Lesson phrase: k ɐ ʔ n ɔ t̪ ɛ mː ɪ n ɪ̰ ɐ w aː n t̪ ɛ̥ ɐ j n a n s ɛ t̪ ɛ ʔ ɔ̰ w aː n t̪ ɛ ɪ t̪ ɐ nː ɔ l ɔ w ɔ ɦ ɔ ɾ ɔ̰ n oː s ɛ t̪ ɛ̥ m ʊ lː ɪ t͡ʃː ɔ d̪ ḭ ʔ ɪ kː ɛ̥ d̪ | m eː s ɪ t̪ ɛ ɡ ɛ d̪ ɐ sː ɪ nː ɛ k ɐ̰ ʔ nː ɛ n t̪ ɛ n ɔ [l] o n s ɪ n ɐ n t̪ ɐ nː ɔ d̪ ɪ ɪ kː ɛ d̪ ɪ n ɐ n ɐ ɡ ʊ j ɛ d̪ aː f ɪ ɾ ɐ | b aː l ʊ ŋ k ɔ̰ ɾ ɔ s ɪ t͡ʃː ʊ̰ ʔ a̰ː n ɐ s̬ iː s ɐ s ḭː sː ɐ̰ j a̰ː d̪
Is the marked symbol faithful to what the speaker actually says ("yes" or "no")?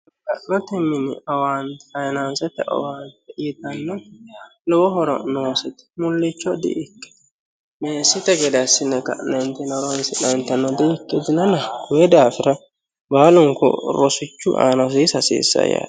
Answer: no